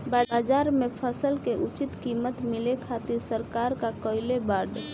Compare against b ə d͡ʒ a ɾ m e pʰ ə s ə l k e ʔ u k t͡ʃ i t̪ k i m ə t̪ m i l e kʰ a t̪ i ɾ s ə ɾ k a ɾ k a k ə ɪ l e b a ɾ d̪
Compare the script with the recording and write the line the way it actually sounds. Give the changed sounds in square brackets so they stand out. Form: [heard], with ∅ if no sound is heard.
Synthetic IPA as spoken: b [a] d͡ʒ a ɾ m e pʰ ə s ə l k e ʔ u [∅] t͡ʃ i t̪ k i m ə t̪ m i l e kʰ a t̪ i ɾ s ə ɾ k a ɾ k a k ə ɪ l e b a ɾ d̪